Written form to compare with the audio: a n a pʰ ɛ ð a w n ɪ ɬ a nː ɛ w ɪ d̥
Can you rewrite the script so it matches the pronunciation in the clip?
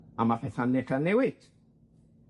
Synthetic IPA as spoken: a m a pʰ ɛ θ a n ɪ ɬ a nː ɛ w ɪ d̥